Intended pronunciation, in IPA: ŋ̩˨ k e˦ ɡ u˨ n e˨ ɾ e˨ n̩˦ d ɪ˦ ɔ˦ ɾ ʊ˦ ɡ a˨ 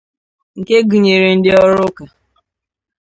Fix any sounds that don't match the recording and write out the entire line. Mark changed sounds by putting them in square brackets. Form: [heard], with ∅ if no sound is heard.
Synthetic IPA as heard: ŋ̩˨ k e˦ ɡ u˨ [ɲ] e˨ ɾ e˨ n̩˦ d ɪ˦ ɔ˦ ɾ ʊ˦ [k] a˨

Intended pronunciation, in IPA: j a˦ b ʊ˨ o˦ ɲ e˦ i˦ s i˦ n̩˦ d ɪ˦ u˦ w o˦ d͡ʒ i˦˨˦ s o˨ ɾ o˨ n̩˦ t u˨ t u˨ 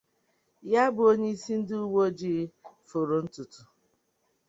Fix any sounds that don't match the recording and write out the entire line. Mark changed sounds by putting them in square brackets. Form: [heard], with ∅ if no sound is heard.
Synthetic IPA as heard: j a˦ b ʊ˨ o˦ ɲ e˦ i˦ s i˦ n̩˦ d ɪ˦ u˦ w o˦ d͡ʒ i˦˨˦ [f] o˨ ɾ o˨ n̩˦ t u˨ t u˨

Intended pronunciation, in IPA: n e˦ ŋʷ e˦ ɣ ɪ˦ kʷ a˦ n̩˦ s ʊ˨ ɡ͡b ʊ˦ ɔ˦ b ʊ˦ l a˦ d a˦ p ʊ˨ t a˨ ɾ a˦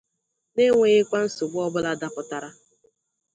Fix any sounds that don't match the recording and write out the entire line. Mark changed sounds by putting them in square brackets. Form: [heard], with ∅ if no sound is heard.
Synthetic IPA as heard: n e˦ ŋʷ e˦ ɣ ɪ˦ kʷ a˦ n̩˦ s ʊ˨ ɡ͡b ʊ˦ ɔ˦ b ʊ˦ l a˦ d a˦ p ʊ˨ t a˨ ɾ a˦

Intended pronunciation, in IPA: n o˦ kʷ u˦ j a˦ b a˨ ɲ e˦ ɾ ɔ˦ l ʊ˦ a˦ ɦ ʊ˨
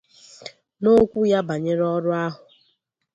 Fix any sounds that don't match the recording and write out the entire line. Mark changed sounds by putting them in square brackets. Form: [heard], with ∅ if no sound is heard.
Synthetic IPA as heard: n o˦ kʷ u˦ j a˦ b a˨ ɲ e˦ ɾ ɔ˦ [ɾ] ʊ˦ a˦ ɦ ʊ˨

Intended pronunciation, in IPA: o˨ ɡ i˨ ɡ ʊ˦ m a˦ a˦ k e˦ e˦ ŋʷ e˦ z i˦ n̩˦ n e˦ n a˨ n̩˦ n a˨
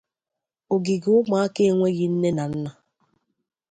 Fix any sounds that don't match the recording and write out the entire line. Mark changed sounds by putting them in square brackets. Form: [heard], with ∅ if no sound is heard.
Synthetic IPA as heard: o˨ ɡ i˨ ɡ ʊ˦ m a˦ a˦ k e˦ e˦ ŋʷ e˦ [ɣ] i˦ n̩˦ n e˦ n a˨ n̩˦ n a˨

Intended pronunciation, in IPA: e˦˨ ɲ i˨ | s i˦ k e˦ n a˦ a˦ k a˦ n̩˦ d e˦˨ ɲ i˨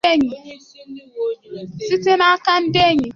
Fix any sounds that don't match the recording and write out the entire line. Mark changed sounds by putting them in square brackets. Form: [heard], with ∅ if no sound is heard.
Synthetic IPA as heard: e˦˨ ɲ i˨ | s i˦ [t] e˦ n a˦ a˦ k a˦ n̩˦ d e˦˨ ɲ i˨

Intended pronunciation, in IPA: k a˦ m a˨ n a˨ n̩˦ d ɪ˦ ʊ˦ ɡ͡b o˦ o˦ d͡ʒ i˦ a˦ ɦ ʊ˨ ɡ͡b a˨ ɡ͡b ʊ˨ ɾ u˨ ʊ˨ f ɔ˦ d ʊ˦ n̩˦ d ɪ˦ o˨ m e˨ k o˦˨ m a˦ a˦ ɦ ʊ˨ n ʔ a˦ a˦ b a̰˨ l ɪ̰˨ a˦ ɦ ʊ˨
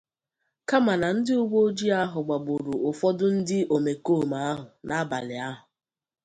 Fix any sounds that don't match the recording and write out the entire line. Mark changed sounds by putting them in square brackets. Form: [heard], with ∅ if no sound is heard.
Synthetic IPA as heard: k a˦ m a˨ n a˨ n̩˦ d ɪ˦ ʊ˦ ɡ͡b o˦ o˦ d͡ʒ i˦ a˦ ɦ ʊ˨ ɡ͡b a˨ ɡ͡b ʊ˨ ɾ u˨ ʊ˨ f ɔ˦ d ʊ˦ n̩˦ d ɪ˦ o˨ m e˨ k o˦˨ m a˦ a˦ ɦ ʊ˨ n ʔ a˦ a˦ b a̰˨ l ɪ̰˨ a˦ ɦ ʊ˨

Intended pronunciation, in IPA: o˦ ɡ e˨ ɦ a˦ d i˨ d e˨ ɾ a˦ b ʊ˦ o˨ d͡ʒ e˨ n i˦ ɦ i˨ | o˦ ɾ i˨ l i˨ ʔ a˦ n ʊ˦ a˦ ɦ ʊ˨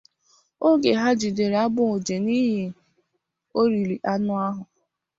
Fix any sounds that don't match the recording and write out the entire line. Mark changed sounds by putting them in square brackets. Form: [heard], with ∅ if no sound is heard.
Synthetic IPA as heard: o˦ ɡ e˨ ɦ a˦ [d͡ʒ] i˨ d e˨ ɾ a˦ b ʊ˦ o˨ d͡ʒ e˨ n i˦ ɦ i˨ | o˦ ɾ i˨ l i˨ ʔ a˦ n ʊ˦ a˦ ɦ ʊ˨

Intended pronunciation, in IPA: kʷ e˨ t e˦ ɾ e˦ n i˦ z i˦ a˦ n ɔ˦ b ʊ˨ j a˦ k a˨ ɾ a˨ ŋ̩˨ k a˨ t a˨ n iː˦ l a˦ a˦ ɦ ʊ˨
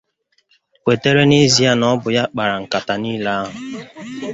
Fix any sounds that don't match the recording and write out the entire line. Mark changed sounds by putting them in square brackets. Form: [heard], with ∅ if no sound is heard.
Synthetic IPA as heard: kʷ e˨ t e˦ ɾ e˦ n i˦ z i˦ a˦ n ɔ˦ b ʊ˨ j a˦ [k͡p] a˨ ɾ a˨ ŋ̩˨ k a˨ t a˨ n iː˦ l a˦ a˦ ɦ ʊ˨

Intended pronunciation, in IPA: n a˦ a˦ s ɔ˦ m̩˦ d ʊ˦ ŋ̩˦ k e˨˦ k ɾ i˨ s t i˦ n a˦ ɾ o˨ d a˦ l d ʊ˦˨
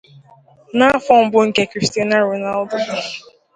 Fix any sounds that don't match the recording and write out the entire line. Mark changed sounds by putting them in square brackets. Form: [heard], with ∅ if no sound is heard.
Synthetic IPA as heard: n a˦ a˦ [f] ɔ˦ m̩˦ [b] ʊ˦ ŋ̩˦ k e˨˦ k ɾ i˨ s t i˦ n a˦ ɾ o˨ [n] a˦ l d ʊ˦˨

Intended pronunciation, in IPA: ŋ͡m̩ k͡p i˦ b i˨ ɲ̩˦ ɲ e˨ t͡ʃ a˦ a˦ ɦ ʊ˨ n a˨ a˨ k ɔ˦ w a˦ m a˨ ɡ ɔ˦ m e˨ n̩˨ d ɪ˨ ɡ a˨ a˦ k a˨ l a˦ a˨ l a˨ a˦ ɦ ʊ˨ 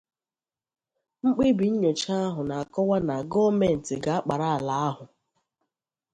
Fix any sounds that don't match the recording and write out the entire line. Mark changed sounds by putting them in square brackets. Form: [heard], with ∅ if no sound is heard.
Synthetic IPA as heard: ŋ͡m̩ k͡p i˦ b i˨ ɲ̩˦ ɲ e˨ t͡ʃ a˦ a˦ ɦ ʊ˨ n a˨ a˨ k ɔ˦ w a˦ [n] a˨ ɡ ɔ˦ m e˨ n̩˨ [t] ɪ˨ ɡ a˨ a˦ [k͡p] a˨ [ɾ] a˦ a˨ l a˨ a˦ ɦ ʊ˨

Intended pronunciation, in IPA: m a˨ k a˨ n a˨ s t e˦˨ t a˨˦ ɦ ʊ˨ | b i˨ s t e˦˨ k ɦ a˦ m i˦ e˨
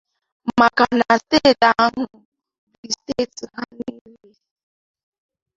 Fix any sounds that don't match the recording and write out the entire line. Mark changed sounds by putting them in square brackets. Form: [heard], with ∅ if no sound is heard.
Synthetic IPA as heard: m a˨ k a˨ n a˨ s t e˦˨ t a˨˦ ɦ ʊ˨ | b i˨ s t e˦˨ [t] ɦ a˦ [n] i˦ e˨

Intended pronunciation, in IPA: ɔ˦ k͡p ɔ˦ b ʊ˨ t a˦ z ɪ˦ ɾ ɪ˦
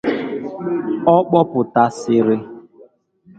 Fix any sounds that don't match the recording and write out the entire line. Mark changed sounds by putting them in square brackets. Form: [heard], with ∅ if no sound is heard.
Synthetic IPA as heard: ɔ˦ k͡p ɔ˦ [p] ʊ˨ t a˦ [s] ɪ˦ ɾ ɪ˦

